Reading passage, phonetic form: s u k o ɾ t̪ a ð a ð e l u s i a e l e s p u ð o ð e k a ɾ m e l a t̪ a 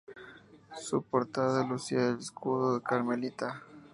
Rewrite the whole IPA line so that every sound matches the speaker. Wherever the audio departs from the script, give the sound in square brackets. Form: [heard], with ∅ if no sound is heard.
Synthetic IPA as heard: s u [p] o ɾ t̪ a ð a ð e l u s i a e l e s [k] u ð o ð e k a ɾ m e l [i] t̪ a